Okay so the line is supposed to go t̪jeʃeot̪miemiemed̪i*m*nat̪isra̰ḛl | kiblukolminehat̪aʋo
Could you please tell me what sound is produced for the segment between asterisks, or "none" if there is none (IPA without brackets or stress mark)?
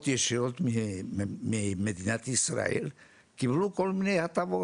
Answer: none